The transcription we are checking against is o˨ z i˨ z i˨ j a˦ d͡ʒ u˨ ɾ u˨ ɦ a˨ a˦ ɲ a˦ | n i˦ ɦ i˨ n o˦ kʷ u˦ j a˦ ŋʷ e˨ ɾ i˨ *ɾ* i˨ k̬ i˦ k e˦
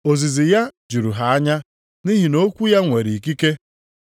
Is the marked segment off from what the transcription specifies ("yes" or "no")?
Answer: yes